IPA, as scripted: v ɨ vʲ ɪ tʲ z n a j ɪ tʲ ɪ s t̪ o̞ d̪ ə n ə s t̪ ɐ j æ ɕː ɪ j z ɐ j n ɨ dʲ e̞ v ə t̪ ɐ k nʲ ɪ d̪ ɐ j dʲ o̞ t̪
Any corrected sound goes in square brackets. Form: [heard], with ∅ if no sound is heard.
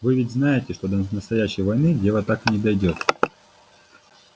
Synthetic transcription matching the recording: v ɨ vʲ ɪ tʲ z n a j ɪ tʲ ɪ [ʂ] t̪ o̞ d̪ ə n ə s t̪ ɐ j æ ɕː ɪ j [v] ɐ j n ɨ dʲ e̞ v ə t̪ [a] k nʲ ɪ d̪ ɐ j dʲ o̞ t̪